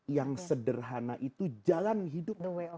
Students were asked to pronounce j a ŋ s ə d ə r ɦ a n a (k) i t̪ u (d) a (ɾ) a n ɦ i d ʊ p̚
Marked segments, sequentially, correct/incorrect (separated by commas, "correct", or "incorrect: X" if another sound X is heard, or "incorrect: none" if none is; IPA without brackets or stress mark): incorrect: ʔ, incorrect: d͡ʒ, incorrect: l